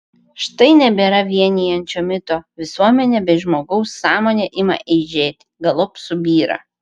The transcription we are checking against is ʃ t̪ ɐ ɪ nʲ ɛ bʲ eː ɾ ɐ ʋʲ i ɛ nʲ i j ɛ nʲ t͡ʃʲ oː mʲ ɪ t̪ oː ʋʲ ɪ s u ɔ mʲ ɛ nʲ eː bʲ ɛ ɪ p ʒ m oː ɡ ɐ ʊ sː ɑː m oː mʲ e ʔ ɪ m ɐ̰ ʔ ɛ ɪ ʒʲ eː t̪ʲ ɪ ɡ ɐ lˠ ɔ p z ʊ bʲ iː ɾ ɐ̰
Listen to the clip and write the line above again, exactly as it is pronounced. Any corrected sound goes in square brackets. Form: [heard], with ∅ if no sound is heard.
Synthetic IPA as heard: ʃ t̪ ɐ ɪ nʲ ɛ bʲ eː ɾ ɐ ʋʲ i ɛ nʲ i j ɛ nʲ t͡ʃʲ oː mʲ ɪ t̪ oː ʋʲ ɪ s u ɔ mʲ ɛ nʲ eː bʲ ɛ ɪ [∅] ʒ m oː ɡ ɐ ʊ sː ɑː m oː [nʲ] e ʔ ɪ m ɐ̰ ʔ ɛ ɪ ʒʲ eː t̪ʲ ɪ ɡ ɐ lˠ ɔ p [s] ʊ bʲ iː ɾ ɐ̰